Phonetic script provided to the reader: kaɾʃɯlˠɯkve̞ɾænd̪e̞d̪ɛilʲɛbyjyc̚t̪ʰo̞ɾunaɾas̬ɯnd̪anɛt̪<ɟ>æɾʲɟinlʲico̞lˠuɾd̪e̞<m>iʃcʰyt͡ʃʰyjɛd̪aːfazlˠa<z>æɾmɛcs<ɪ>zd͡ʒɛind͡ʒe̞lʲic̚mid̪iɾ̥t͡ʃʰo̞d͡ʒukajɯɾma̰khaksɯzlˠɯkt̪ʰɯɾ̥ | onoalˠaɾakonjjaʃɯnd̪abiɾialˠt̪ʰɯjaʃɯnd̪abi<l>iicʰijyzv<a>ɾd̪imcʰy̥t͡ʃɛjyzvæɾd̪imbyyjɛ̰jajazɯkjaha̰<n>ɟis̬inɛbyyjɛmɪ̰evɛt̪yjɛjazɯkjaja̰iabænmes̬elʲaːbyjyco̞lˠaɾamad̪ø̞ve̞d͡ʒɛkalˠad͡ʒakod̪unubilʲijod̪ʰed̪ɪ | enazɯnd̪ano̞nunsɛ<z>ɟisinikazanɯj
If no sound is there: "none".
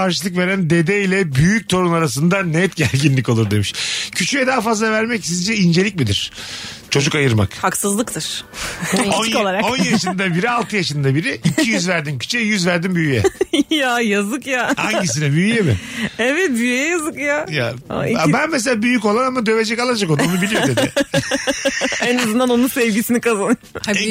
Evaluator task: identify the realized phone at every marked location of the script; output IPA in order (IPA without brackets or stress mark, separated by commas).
ɟ, m, v, i, ɾ, æ, ɲ, v